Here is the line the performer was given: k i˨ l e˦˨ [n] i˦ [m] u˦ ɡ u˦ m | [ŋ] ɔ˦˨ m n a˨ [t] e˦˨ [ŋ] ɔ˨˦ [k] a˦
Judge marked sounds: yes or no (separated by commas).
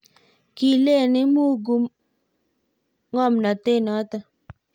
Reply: yes, yes, yes, yes, no, no